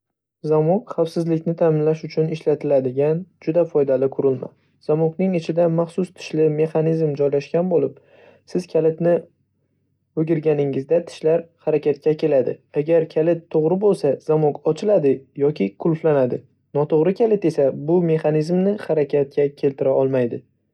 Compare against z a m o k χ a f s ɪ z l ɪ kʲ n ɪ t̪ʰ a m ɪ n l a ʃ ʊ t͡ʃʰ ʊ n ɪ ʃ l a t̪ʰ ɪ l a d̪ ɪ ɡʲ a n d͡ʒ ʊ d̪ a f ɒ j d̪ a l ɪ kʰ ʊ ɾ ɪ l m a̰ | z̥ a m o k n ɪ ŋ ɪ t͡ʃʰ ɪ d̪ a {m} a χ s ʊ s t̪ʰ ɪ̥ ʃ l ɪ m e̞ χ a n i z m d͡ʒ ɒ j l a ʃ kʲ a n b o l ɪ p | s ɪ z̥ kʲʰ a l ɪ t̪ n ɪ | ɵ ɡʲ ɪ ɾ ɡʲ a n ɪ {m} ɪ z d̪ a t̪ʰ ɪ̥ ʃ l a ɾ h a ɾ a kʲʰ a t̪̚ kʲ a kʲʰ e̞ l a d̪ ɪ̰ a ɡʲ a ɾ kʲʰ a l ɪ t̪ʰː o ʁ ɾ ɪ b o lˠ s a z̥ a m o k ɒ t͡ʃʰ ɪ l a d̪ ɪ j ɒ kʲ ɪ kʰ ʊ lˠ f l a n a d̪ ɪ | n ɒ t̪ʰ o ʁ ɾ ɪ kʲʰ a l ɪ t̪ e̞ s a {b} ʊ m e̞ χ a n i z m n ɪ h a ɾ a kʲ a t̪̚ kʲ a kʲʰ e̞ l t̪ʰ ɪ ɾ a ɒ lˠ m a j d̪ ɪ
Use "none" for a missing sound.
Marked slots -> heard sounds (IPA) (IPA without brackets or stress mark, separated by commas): m, ŋ, b